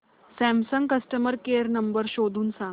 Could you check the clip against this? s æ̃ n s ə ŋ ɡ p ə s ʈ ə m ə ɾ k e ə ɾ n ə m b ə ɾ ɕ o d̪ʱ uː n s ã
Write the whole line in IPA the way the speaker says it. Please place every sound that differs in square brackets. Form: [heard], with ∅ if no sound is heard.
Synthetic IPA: s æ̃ [m] s ə ŋ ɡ [k] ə s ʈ ə m ə ɾ k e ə ɾ n ə m b ə ɾ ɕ o d̪ʱ uː n s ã